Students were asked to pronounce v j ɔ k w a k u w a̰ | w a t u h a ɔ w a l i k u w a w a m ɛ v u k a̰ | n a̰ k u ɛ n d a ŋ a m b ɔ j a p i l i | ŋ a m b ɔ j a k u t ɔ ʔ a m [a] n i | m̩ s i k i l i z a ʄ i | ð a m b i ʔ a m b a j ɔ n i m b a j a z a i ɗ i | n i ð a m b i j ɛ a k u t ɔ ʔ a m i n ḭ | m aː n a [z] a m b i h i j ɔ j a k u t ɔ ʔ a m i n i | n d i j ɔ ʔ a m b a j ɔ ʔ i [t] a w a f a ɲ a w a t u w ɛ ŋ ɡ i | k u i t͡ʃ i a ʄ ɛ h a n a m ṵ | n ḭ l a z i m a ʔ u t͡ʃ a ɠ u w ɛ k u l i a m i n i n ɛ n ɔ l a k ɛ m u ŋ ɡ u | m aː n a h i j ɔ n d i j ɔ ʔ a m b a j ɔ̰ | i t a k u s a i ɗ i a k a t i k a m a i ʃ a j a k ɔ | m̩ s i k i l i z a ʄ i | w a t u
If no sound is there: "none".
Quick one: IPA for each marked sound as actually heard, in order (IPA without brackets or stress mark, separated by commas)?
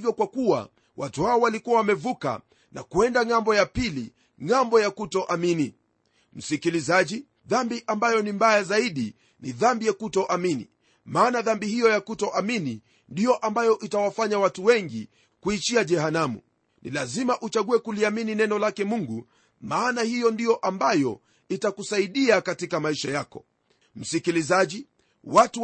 i, ð, t